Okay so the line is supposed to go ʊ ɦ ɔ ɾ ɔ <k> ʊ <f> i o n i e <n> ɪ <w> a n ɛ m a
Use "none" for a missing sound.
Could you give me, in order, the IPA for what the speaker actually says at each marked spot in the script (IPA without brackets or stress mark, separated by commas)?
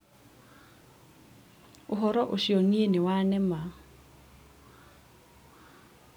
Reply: ʔ, ʃ, n, w